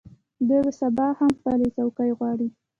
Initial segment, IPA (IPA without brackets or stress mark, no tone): d̪